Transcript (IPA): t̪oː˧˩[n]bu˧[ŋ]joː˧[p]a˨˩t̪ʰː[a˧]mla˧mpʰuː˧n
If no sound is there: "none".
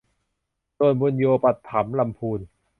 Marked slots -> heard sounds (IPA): n, n, p, a˩˦

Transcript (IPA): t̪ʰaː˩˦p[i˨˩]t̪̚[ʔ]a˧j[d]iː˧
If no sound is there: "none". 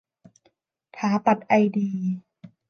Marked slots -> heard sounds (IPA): a˨˩, ʔ, d

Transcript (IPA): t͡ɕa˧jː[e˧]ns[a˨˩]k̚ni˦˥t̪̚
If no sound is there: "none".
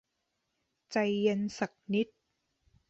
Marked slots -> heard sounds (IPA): e˧, a˨˩

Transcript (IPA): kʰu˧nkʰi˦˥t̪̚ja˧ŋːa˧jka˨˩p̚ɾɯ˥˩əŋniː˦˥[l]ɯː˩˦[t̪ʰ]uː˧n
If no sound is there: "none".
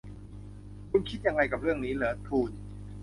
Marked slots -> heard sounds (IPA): l, t̪ʰ

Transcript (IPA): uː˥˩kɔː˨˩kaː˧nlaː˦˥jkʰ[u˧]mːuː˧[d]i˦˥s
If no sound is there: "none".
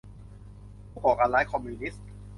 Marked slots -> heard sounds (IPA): ɔ˧, n

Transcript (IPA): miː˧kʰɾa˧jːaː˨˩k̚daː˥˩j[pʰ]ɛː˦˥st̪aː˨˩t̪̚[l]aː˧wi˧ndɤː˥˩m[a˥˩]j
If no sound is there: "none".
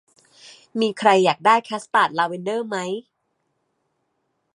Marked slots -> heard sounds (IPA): kʰ, l, a˦˥

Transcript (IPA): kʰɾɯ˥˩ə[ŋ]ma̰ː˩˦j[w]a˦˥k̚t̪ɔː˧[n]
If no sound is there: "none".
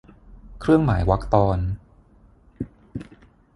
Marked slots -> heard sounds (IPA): ŋ, w, n

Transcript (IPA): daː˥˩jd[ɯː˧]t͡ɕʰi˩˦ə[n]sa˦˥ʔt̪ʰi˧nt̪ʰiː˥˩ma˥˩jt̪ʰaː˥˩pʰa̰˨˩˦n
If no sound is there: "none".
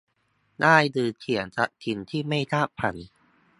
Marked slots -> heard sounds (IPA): ɯː˧, n

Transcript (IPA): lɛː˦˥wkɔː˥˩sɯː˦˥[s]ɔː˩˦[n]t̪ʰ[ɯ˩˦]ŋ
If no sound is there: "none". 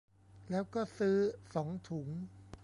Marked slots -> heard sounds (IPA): s, ŋ, u˩˦

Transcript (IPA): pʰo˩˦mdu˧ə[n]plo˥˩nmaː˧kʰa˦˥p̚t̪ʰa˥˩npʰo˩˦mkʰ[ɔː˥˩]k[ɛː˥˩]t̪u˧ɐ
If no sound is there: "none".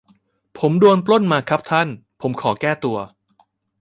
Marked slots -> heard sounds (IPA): n, ɔː˩˦, ɛː˥˩

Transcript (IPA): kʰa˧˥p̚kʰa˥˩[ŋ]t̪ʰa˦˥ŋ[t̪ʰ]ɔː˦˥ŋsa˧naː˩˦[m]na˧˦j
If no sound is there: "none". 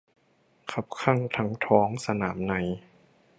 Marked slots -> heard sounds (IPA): ŋ, t̪ʰ, m

